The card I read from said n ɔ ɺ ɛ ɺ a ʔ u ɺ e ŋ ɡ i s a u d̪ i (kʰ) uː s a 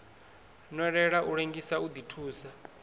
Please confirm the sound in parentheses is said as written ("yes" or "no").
no